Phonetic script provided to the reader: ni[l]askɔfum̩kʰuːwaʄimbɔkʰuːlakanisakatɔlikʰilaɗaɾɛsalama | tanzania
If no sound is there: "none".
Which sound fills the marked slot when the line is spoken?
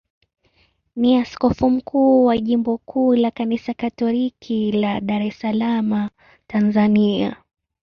none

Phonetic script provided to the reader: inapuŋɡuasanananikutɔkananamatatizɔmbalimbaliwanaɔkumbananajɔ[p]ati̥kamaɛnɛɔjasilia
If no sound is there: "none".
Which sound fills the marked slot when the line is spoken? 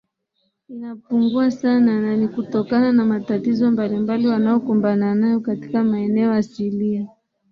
k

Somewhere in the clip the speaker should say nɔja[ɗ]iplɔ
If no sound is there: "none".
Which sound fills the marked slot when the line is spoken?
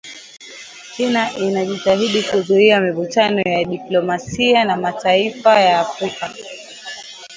ɗ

